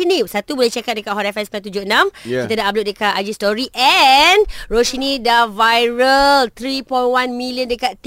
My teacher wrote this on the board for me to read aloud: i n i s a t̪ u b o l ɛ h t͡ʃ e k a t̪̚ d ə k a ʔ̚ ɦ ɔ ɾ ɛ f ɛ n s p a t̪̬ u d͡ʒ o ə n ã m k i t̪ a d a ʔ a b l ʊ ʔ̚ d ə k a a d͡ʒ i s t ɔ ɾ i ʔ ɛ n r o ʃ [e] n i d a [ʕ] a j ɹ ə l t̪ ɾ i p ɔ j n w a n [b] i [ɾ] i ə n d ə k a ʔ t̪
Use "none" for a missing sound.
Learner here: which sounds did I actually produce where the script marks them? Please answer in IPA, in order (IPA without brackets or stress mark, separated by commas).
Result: i, v, m, l